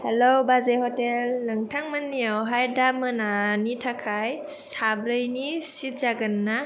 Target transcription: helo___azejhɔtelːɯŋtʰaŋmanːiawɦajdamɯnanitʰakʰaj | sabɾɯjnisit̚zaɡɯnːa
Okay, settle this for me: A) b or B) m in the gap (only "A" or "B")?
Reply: A